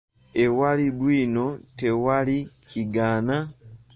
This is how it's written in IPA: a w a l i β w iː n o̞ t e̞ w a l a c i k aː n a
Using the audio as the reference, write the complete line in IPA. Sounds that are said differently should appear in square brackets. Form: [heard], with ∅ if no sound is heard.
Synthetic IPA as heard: [e] w a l i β w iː n o̞ t e̞ w a l [i] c i [ɡ] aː n a